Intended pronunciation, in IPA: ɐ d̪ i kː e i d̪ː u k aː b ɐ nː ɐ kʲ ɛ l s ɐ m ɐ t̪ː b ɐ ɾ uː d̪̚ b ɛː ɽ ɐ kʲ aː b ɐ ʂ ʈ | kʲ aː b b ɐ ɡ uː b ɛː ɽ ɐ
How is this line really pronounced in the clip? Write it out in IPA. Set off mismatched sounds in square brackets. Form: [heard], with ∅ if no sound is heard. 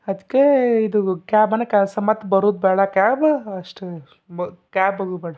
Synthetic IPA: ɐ d̪ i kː e i [d̪] u k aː b ɐ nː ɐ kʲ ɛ l s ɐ m ɐ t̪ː b ɐ ɾ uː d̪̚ b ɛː ɽ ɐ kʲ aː b ɐ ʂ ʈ | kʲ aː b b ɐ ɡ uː b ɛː ɽ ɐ